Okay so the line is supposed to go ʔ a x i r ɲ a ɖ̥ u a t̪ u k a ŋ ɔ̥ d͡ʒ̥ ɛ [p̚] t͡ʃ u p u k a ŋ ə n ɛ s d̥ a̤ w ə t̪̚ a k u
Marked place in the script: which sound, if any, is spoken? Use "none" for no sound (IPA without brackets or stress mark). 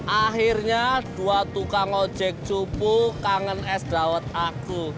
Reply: k̚